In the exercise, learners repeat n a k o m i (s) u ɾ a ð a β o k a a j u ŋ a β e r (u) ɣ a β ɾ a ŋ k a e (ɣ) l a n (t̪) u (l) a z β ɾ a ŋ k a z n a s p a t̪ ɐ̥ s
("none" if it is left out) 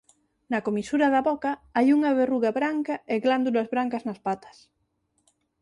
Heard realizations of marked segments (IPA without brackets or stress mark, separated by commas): s, u, ɣ, d̪, l